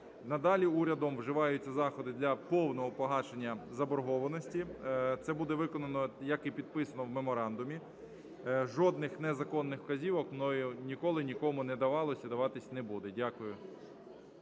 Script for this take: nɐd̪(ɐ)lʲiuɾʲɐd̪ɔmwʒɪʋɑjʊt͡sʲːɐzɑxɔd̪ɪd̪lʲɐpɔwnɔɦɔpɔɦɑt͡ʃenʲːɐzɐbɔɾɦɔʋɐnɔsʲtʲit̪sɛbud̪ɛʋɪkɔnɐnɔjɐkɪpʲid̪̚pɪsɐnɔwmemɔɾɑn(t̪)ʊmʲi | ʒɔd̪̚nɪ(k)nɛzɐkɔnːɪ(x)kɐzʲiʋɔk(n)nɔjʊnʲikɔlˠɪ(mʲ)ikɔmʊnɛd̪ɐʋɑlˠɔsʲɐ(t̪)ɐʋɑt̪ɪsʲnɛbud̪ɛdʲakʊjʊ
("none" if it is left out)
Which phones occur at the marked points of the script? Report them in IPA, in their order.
ɑ, d̪, x, x, m, nʲ, d̪

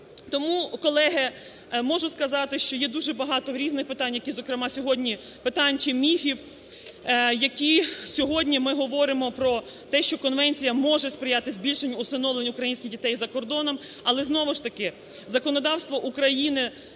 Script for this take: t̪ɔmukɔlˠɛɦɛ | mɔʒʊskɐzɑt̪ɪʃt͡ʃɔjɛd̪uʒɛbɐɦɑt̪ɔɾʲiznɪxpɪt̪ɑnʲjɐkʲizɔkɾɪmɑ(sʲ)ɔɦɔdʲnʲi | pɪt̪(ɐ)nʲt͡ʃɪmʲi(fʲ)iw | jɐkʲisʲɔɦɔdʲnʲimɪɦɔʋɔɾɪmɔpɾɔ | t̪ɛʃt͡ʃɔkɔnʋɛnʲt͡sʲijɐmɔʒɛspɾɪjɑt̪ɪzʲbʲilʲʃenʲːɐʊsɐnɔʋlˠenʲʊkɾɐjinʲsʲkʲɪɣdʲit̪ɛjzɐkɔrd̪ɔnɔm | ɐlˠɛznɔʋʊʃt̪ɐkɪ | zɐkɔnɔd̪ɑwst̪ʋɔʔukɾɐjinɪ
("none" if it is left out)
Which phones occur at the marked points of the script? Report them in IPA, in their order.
sʲ, ɑ, fʲ

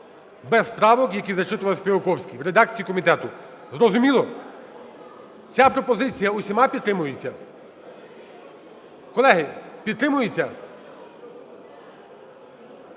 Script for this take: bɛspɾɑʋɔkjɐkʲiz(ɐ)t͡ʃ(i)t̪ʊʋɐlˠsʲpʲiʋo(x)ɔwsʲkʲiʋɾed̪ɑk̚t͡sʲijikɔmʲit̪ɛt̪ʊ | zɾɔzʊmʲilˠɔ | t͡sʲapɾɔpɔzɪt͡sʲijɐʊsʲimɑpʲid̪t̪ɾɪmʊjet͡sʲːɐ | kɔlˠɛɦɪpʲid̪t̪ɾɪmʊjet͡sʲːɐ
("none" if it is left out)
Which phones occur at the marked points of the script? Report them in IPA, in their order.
ɐ, ɪ, k

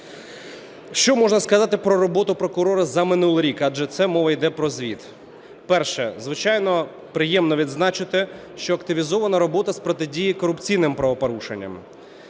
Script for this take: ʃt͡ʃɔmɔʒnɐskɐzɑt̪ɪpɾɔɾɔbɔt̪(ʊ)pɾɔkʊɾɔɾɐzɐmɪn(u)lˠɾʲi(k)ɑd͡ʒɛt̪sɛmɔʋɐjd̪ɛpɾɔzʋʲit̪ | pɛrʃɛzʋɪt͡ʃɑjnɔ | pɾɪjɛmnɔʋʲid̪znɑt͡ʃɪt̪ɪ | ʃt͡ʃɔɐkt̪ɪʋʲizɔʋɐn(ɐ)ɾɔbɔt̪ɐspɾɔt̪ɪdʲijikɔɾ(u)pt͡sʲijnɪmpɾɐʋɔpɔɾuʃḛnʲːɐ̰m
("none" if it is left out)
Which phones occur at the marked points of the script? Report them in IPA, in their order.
ʊ, u, k, ɐ, ʊ

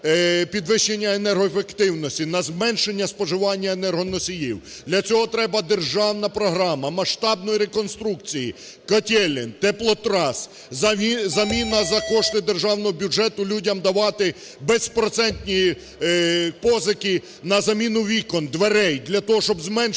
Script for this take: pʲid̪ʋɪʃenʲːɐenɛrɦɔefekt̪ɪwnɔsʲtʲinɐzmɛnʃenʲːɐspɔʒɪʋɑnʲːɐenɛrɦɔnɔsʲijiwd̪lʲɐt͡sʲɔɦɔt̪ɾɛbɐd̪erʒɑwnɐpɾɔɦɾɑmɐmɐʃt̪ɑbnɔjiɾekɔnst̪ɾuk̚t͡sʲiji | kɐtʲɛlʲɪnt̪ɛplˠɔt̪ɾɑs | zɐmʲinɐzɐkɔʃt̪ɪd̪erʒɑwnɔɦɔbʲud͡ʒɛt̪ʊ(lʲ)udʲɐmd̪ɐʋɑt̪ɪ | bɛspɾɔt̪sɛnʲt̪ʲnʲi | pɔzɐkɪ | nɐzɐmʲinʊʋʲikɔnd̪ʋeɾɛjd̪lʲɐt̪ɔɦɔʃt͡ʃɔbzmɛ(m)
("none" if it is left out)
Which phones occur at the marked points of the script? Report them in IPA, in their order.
lʲ, n

